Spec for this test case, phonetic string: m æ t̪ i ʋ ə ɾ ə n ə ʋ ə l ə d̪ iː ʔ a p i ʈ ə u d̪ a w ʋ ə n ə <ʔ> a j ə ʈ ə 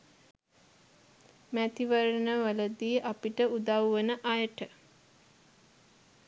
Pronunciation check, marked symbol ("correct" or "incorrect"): correct